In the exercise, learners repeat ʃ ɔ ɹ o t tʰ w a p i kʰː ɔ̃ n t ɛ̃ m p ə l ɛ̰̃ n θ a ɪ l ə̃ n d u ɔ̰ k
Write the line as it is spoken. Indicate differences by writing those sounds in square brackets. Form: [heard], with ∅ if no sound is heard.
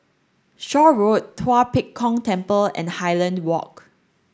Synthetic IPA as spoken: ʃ ɔ ɹ o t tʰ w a p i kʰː ɔ̃ [ŋ] t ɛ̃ m p ə l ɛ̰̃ n [h] a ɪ l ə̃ n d [w] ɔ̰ k